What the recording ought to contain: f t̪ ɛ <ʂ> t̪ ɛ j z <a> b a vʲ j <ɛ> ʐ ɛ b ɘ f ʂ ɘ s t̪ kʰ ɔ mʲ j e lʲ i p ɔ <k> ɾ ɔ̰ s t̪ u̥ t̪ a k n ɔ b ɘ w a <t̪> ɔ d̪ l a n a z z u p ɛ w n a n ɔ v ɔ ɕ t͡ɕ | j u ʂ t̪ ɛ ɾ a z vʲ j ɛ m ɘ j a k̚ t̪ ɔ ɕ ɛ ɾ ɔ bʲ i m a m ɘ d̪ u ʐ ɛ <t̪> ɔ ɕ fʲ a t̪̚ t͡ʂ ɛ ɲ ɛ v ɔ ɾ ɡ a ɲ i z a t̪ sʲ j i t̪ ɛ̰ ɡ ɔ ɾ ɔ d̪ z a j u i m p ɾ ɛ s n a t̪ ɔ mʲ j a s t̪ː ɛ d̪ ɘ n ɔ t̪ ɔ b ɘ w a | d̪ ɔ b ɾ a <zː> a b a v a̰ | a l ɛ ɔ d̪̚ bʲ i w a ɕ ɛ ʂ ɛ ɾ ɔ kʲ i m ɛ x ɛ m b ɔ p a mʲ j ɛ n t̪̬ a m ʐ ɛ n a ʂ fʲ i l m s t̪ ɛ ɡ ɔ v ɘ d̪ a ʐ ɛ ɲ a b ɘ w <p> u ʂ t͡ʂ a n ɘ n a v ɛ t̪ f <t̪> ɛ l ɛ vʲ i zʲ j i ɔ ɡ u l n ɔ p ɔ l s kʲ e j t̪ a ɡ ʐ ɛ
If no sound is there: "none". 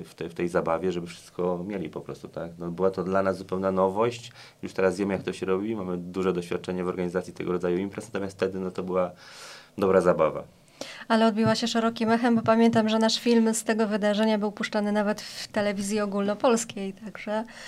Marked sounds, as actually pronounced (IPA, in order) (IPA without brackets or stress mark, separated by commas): f, a, ɛ, p, t̪, d̪, z, p, t̪